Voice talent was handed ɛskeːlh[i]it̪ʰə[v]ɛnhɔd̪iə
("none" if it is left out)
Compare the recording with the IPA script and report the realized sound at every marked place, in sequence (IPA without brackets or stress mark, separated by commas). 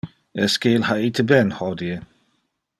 a, b